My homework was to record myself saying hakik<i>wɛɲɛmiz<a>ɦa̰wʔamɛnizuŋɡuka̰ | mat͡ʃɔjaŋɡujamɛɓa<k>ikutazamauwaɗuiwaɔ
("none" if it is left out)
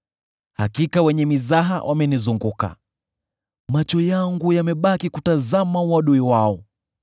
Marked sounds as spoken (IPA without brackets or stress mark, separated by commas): a, a, k